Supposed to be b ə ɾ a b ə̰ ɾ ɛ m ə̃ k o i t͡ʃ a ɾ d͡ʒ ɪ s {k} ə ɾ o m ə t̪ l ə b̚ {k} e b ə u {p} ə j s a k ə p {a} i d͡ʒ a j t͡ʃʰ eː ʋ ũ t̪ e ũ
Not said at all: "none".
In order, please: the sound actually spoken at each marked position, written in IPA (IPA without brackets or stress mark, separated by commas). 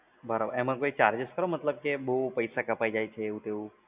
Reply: k, k, p, a